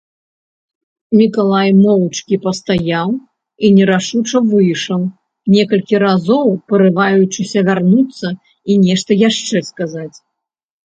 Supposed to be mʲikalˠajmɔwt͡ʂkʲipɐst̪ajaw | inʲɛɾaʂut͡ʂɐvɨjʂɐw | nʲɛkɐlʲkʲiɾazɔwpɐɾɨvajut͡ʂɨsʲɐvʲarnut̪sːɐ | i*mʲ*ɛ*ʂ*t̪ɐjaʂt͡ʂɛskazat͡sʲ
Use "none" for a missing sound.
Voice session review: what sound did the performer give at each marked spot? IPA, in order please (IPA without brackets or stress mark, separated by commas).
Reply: nʲ, ʂ